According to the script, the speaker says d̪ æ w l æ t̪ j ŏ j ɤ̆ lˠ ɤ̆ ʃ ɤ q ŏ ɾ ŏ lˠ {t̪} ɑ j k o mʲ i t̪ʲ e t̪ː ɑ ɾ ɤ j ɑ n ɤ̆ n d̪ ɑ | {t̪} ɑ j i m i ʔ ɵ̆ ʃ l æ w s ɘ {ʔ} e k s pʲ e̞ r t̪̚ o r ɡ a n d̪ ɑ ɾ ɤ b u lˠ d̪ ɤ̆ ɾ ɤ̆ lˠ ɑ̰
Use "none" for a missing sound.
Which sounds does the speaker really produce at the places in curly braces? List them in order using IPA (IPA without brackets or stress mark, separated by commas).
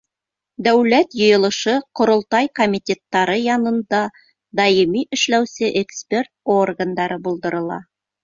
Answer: t̪, d̪, ʔ